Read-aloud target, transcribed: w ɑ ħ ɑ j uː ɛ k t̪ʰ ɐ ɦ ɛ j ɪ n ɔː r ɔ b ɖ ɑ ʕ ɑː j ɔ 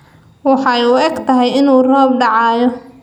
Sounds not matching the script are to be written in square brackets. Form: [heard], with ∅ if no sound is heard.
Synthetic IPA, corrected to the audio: w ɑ ħ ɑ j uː ɛ [ɡ] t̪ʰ ɐ ɦ ɛ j ɪ n [uː] r [ɔː] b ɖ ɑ ʕ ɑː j ɔ